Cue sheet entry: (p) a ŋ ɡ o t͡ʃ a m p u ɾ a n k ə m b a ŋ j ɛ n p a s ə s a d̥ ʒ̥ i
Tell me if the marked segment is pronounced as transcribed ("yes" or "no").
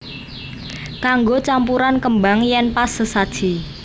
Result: no